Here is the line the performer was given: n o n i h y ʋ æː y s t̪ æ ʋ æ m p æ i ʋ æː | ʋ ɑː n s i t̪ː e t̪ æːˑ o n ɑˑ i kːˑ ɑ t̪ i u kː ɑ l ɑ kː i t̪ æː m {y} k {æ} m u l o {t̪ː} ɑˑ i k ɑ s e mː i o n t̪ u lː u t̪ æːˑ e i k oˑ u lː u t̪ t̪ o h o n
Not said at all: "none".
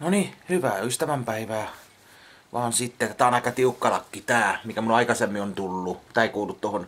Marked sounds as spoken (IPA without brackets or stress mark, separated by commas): i, æ, none